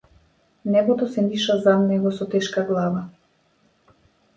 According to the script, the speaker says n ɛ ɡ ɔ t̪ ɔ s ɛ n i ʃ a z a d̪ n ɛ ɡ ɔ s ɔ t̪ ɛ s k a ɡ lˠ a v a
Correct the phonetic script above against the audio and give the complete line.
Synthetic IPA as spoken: n ɛ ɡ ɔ t̪ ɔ s ɛ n i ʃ a z a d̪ n ɛ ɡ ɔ s ɔ t̪ ɛ ʃ k a ɡ lˠ a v a